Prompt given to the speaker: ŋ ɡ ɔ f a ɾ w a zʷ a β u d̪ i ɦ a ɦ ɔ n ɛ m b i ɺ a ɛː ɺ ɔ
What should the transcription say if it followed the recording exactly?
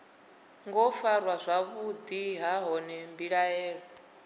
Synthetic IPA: ŋ ɡ ɔ f a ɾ w a zʷ a β u d̪ i ɦ a ɦ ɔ n ɛ m b i ɺ a ɛː ɺ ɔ